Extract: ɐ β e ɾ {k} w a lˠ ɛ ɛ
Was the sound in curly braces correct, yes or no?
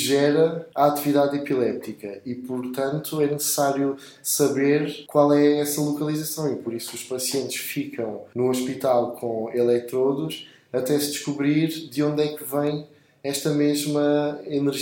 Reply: yes